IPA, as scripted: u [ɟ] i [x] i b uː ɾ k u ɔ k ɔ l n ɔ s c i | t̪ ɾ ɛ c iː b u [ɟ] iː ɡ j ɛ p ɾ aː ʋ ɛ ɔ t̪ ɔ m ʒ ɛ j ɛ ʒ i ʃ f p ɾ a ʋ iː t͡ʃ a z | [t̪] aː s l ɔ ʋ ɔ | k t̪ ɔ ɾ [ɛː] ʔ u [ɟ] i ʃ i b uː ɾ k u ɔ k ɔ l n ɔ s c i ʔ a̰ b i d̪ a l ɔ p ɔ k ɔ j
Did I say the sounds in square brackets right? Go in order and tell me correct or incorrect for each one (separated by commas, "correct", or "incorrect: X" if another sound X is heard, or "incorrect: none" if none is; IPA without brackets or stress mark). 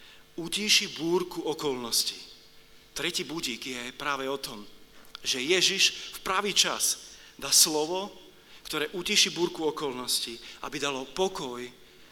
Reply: incorrect: c, incorrect: ʃ, correct, incorrect: d̪, correct, incorrect: c